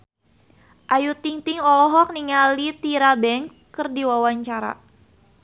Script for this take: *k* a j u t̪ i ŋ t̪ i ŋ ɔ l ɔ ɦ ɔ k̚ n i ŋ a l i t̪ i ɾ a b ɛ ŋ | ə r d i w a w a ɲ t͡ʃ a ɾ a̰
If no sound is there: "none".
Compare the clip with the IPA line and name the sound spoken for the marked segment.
ʔ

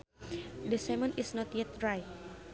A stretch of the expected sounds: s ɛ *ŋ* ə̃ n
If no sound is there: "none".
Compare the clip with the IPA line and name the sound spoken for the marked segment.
m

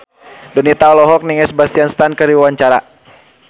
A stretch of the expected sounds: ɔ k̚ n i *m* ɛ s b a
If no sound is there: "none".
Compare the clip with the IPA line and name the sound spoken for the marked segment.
ŋ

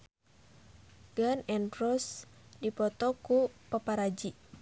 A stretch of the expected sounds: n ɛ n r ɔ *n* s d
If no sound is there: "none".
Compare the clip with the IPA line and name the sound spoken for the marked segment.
none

